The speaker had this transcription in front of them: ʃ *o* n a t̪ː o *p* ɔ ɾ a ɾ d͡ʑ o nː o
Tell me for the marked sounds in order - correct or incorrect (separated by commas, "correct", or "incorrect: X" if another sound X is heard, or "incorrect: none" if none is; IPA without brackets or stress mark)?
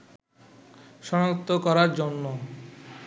incorrect: ɔ, incorrect: k